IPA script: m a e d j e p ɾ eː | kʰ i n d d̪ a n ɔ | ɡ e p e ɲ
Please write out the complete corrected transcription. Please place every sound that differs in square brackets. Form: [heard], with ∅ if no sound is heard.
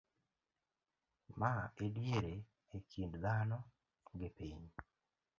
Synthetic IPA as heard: m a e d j e [∅] ɾ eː | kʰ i n d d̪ a n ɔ | ɡ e p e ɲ